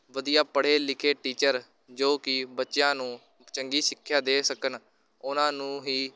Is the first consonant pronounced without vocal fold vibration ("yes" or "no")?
no